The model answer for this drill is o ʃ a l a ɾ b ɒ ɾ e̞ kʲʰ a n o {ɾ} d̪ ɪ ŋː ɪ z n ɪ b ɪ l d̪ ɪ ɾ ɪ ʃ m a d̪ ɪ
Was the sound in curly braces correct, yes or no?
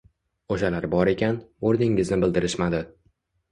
yes